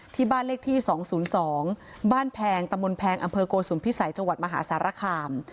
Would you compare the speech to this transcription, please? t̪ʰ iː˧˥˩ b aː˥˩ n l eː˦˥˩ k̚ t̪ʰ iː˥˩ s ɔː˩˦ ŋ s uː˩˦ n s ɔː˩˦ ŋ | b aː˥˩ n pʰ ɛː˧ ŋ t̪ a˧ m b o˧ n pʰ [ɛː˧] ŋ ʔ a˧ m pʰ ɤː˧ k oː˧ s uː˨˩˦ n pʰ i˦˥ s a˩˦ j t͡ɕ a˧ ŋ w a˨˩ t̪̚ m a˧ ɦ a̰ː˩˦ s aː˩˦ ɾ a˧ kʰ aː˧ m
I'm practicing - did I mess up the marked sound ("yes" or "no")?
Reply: no